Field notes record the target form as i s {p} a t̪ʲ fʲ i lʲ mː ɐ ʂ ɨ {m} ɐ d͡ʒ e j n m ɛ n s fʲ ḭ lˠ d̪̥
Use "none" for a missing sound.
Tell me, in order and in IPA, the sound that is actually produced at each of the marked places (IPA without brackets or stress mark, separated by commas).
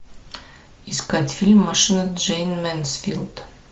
k, n